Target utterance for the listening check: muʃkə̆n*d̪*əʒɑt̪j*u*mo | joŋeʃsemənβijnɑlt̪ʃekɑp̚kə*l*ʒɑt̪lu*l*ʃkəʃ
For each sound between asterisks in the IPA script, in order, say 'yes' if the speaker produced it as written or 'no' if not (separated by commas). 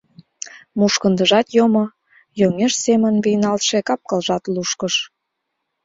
yes, no, yes, no